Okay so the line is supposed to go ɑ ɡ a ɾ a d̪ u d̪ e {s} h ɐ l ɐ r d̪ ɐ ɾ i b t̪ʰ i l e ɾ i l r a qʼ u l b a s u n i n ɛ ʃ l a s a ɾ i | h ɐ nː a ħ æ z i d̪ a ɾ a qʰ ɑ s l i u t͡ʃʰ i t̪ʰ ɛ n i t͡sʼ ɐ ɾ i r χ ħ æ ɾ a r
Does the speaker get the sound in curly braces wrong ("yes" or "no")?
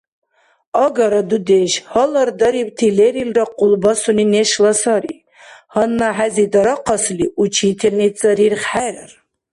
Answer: yes